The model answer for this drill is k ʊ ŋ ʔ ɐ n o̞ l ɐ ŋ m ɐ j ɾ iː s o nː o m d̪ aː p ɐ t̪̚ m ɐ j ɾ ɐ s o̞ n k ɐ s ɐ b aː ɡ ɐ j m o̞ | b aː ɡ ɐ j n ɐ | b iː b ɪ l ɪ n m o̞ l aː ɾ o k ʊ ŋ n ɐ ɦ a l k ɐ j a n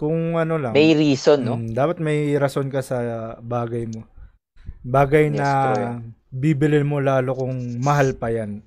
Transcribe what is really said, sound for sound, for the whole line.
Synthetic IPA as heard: k ʊ ŋ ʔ ɐ n o̞ l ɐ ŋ m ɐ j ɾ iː s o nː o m d̪ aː p ɐ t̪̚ m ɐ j ɾ ɐ s o̞ n k ɐ s ɐ b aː ɡ ɐ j m o̞ | b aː ɡ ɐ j n ɐ | b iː b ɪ l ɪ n m o̞ l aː l o k ʊ ŋ m ɐ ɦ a l p ɐ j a n